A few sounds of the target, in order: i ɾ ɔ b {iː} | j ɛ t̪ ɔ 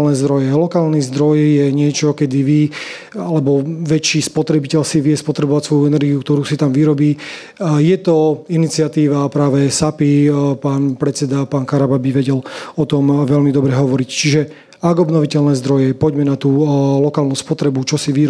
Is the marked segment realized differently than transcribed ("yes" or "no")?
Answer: no